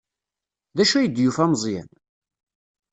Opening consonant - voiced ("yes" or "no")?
yes